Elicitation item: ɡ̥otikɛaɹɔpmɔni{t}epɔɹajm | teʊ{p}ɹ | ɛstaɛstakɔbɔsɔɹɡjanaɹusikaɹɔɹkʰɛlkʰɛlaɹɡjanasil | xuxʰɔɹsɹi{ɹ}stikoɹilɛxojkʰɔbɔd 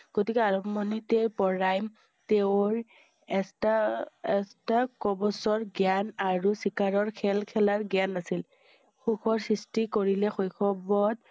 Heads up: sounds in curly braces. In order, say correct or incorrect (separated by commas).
correct, incorrect, incorrect